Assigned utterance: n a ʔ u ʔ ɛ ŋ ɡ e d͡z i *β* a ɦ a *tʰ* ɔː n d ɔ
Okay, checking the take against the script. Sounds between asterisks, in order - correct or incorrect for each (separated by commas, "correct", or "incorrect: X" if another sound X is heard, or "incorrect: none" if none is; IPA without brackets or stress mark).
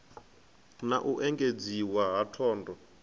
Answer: incorrect: w, correct